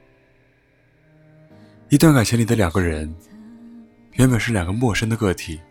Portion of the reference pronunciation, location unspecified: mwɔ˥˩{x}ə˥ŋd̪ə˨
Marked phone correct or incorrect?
incorrect